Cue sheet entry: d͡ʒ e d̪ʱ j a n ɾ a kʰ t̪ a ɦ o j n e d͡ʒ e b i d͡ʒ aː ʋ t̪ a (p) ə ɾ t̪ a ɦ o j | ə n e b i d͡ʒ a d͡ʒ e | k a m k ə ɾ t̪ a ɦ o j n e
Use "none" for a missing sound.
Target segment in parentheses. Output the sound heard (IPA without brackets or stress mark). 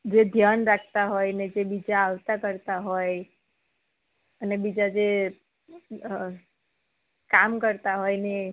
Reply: k